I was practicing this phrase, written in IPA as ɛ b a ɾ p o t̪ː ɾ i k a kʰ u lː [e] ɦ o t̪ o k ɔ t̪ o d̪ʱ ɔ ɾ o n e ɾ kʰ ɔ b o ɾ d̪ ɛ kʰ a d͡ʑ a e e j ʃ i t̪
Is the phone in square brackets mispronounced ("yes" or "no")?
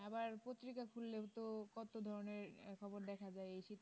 no